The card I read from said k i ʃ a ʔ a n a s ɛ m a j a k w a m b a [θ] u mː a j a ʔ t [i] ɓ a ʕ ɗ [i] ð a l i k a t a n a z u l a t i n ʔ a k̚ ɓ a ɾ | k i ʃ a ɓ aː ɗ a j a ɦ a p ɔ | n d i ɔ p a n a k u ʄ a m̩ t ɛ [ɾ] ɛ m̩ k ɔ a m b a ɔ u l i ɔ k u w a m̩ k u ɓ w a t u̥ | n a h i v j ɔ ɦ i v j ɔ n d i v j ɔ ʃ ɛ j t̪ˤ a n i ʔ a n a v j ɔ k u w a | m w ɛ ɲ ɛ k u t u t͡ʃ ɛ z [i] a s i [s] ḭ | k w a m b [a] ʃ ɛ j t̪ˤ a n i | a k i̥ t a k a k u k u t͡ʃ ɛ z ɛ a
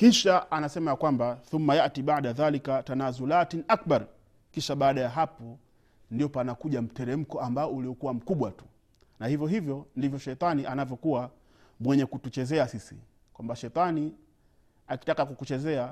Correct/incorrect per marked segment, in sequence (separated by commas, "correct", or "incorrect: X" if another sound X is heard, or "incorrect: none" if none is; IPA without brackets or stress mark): correct, correct, incorrect: a, correct, incorrect: ɛ, correct, correct